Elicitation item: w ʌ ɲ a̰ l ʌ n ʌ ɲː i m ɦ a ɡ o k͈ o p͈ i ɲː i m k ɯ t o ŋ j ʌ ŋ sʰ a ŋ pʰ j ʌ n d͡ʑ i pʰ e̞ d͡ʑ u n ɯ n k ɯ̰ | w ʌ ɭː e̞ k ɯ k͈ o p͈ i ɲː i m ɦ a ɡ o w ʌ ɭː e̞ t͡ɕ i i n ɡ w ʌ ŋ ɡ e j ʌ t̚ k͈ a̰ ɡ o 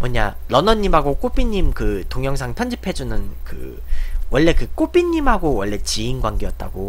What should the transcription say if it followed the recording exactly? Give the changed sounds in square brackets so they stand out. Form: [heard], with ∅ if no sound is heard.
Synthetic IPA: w ʌ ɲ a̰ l ʌ n ʌ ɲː i m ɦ a ɡ o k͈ o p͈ i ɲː i m k ɯ t o ŋ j ʌ ŋ sʰ a ŋ pʰ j ʌ n d͡ʑ i pʰ e̞ d͡ʑ u n ɯ n k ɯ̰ | w ʌ ɭː e̞ k ɯ k͈ o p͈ i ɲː i m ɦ a ɡ o w ʌ ɭː e̞ t͡ɕ i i n ɡ w [a] ŋ ɡ e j ʌ t̚ [t͈] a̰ ɡ o